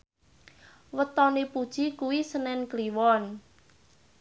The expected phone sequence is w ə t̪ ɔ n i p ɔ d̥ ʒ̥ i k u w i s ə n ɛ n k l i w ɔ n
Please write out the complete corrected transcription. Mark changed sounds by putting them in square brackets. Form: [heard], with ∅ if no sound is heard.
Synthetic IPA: w ə t̪ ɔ n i p [u] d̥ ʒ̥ i k u w i s ə n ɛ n k l i w ɔ n